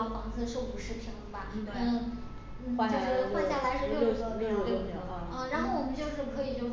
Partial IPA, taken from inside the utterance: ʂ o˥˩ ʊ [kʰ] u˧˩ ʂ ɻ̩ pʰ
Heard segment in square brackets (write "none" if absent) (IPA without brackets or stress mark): none